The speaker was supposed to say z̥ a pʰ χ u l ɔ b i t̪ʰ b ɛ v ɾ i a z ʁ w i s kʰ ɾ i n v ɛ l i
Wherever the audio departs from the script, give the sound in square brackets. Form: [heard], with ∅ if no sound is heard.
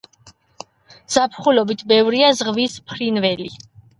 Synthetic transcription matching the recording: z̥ a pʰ χ u l ɔ b i t̪ʰ b ɛ v ɾ i a z ʁ [v] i s [pʰ] ɾ i n v ɛ l i